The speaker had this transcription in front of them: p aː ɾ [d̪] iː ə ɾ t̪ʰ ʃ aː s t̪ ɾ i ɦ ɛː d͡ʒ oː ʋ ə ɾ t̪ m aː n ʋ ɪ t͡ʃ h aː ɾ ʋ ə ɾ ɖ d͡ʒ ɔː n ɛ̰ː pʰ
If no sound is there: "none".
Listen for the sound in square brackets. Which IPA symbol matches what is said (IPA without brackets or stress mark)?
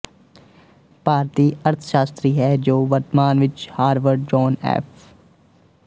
t̪